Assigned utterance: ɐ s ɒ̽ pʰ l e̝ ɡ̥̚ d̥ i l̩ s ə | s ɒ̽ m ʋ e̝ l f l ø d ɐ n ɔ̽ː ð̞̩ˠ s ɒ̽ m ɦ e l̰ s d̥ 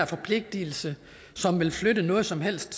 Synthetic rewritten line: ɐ f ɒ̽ pʰ l e̝ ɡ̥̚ d̥ i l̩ s ə | s ɒ̽ m ʋ e̝ l f l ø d ə n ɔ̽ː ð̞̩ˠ s ɒ̽ m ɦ e l̰ s d̥